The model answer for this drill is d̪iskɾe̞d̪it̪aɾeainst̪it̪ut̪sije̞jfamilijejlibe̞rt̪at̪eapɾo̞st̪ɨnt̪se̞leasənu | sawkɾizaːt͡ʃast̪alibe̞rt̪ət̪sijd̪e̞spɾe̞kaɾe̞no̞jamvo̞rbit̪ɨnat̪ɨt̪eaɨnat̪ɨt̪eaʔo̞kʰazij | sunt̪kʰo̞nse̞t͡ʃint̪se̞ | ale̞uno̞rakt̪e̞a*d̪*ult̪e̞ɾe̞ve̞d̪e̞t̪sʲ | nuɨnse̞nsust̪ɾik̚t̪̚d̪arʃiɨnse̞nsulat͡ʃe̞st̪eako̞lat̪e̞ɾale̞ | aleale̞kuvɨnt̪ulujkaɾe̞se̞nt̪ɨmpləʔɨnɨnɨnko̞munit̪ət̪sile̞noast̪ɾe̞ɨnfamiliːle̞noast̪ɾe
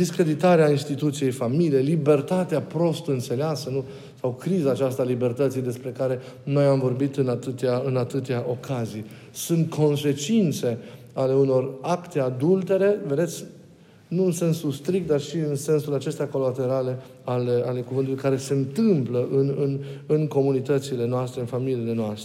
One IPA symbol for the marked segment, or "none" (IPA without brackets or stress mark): d̪